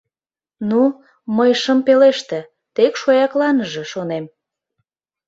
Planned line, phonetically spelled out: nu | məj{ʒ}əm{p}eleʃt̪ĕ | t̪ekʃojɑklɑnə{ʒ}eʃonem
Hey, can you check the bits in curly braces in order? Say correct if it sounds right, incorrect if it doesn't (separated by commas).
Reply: incorrect, correct, correct